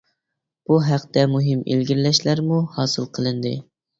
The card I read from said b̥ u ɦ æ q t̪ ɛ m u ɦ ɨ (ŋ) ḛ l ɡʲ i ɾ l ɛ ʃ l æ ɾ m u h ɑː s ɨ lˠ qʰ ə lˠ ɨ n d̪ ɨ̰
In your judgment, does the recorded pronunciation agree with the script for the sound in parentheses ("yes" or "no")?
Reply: no